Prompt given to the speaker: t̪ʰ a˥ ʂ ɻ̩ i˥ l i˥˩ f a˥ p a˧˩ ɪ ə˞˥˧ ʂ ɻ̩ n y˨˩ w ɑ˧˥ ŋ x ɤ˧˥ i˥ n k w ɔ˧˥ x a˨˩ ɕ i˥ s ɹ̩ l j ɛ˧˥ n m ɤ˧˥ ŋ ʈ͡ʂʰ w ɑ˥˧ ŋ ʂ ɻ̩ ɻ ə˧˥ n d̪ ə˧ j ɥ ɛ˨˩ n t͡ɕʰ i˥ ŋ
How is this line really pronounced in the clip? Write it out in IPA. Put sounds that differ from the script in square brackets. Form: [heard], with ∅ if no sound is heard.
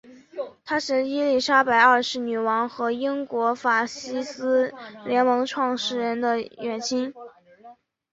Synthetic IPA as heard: t̪ʰ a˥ ʂ ɻ̩ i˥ l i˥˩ [ʂ] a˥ p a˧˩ ɪ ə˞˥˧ ʂ ɻ̩ n y˨˩ w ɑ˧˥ ŋ x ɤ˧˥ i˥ [ŋ] k w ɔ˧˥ [f] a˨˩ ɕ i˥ s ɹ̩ l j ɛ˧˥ n m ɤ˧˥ ŋ ʈ͡ʂʰ w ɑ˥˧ ŋ ʂ ɻ̩ ɻ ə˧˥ n d̪ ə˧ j ɥ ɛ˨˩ n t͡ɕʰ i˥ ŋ